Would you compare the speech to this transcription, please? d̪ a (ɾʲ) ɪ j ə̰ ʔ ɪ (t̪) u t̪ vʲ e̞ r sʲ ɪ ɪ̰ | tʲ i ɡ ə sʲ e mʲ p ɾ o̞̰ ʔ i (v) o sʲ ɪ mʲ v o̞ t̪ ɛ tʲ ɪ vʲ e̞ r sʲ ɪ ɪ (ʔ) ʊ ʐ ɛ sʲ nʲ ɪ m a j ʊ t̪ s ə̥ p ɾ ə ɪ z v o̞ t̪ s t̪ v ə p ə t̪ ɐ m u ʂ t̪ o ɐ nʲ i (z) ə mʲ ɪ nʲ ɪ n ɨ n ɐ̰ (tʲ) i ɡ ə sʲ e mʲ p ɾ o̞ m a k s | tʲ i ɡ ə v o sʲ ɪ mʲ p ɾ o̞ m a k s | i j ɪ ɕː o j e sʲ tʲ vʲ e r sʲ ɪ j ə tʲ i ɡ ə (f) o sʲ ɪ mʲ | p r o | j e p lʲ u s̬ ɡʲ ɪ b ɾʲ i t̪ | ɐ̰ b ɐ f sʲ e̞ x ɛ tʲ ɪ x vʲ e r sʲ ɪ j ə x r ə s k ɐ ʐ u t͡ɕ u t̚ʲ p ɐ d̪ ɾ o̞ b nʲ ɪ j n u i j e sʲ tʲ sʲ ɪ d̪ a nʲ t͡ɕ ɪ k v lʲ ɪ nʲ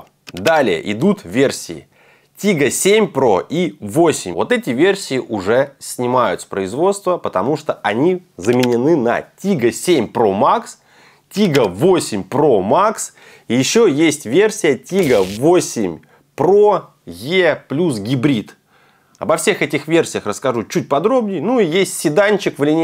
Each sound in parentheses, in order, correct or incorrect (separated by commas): incorrect, incorrect, correct, correct, correct, correct, incorrect